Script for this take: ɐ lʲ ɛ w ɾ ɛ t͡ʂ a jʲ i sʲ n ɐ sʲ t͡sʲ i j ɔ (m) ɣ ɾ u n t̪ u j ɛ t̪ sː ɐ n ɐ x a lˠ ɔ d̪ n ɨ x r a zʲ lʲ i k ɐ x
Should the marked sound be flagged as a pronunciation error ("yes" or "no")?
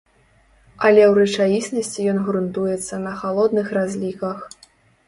yes